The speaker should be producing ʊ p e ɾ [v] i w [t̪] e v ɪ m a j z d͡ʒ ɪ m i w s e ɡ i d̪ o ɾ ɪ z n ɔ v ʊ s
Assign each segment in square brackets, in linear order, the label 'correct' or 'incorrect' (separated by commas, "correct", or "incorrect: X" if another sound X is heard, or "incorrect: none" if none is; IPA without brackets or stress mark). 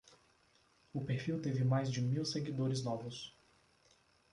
incorrect: f, correct